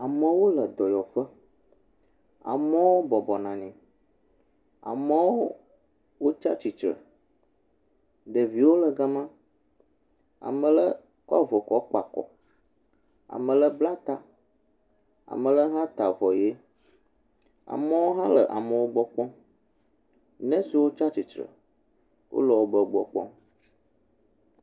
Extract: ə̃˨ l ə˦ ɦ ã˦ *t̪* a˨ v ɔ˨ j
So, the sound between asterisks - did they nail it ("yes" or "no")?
yes